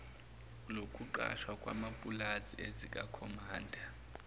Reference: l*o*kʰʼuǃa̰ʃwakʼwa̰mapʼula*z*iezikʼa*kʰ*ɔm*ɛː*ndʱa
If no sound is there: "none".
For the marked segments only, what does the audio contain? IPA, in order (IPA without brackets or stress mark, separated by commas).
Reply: o, z, kʰ, aː